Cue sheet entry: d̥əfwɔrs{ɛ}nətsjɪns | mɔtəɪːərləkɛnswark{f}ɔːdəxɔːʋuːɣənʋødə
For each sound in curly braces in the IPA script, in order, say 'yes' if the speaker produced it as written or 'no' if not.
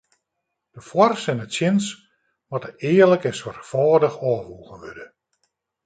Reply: yes, yes

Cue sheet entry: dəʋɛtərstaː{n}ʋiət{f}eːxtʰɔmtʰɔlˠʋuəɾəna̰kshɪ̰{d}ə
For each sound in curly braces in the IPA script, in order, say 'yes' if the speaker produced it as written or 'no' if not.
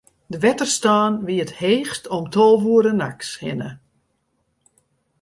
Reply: yes, no, no

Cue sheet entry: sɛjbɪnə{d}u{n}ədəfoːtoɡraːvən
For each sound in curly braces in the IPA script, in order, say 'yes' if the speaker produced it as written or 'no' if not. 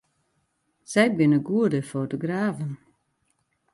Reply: no, no

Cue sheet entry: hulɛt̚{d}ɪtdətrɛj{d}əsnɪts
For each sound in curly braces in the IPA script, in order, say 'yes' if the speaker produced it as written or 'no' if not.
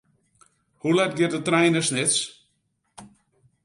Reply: no, no

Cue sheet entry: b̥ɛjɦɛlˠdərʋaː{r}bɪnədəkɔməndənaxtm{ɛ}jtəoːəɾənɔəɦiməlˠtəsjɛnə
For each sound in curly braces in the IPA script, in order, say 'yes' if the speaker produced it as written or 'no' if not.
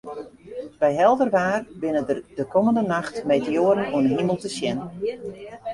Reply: yes, no

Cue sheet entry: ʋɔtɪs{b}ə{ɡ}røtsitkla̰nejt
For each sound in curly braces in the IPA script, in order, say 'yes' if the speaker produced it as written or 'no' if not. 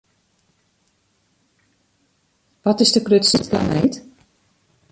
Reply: no, no

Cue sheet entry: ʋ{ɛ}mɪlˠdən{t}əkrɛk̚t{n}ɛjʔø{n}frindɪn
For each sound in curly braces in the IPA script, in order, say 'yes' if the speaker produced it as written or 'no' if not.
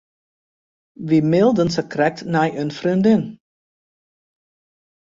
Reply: no, no, yes, yes

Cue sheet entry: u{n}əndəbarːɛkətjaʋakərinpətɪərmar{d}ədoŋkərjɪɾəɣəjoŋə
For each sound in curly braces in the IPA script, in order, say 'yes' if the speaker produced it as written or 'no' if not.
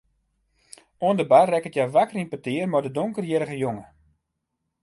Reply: no, yes

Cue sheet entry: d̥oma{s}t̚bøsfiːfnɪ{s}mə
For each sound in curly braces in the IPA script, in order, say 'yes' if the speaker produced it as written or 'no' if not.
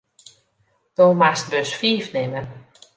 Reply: yes, no

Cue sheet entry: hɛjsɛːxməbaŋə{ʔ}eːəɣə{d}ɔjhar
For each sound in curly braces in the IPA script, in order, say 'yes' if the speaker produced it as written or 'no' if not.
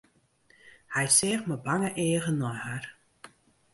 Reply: yes, no

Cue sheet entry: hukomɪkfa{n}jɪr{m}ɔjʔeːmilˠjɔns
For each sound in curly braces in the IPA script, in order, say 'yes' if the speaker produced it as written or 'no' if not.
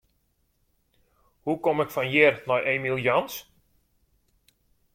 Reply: yes, no

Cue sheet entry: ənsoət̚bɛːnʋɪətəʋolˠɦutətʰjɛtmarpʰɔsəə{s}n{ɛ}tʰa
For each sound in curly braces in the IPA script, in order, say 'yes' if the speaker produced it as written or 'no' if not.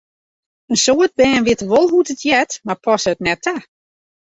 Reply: no, yes

